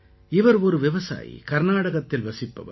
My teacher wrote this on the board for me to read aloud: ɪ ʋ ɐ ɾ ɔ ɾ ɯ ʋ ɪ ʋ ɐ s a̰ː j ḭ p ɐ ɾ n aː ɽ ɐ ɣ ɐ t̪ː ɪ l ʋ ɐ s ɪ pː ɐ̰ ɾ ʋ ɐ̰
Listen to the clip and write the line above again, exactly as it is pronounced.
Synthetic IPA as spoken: ɪ ʋ ɐ ɾ ɔ ɾ ɯ ʋ ɪ ʋ ɐ s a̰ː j ḭ k ɐ ɾ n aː ɽ ɐ ɣ ɐ t̪ː ɪ l ʋ ɐ s ɪ pː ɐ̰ ʋ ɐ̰